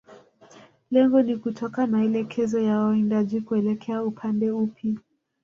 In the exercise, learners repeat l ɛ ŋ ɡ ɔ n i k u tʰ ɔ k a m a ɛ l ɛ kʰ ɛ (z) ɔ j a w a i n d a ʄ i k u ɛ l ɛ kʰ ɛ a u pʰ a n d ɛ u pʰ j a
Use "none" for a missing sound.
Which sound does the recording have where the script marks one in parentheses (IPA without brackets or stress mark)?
z